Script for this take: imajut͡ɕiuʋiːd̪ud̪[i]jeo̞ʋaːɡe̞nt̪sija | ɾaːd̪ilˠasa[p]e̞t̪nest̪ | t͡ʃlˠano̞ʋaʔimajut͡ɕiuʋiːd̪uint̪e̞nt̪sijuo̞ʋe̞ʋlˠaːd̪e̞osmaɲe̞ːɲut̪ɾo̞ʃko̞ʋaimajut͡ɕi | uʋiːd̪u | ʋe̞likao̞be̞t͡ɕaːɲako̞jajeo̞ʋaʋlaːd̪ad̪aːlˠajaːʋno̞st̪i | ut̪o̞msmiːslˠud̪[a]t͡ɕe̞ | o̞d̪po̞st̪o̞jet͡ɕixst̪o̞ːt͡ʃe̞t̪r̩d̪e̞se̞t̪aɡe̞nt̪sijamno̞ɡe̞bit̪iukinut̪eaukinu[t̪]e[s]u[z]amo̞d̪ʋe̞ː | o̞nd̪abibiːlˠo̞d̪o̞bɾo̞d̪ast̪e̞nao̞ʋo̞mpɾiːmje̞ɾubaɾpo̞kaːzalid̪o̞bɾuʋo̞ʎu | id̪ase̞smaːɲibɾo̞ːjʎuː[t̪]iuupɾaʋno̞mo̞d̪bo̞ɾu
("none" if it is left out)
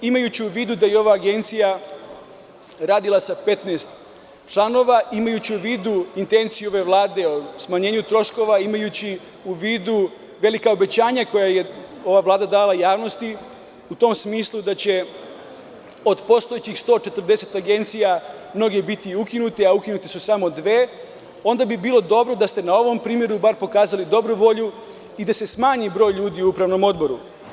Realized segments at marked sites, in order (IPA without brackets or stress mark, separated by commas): a, p, a, t̪, s, s, d̪